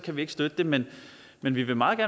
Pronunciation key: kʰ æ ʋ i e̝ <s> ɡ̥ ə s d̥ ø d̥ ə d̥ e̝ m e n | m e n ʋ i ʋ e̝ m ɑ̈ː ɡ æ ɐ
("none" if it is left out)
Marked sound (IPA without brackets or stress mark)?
none